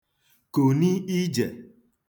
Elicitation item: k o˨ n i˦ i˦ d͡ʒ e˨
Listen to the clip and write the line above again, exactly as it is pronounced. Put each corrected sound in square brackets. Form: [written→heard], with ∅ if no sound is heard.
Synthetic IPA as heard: k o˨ n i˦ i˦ d͡ʒ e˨